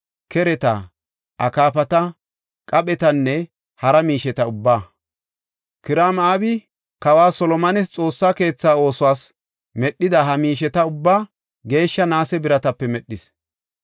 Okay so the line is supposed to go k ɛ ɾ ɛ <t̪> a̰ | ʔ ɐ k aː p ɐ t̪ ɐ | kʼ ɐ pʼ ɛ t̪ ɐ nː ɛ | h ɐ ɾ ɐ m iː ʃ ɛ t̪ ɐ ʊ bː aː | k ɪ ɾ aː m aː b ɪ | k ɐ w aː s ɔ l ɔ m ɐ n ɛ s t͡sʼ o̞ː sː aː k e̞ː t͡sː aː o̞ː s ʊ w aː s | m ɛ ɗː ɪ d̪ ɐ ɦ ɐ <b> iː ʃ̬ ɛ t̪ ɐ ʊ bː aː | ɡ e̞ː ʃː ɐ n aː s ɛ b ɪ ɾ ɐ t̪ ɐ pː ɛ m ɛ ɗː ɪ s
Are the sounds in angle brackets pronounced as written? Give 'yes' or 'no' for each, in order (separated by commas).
yes, no